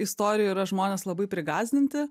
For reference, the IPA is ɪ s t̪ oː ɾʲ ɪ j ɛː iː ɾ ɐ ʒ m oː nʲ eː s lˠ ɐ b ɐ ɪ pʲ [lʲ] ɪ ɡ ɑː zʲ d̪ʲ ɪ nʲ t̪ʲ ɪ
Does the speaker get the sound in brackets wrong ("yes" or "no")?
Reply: yes